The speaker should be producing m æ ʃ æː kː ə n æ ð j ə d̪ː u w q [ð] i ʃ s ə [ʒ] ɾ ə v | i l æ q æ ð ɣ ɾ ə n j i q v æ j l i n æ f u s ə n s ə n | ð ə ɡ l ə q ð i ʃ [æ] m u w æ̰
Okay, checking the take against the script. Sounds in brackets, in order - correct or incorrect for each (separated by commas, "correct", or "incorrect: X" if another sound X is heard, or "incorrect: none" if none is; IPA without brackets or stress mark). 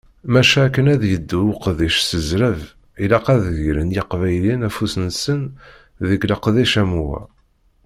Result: correct, incorrect: z, correct